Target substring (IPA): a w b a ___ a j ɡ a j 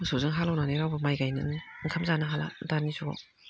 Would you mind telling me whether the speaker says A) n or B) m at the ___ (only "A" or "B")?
B